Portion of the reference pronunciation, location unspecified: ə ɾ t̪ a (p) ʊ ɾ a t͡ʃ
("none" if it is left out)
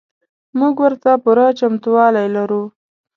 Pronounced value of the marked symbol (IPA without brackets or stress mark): p